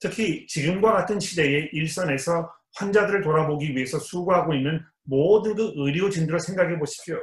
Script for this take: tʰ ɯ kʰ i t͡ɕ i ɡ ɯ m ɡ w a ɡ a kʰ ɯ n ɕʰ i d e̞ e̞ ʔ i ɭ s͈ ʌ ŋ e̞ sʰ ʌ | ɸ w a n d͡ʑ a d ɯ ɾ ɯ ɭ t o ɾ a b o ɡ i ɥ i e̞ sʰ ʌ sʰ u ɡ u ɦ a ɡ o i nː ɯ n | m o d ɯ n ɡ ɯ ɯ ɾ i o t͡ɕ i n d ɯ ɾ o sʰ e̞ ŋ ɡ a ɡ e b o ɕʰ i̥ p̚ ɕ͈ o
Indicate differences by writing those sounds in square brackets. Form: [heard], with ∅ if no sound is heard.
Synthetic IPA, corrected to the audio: tʰ ɯ kʰ i t͡ɕ i ɡ ɯ m ɡ w a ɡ a [tʰ] ɯ n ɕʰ i d e̞ e̞ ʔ i ɭ s͈ ʌ [n] e̞ sʰ ʌ | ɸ w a n d͡ʑ a d ɯ ɾ ɯ ɭ t o ɾ a b o ɡ i ɥ i e̞ sʰ ʌ sʰ u ɡ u ɦ a ɡ o i nː ɯ n | m o d ɯ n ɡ ɯ ɯ ɾ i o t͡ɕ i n d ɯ ɾ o sʰ e̞ ŋ ɡ a ɡ e b o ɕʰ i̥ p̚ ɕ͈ o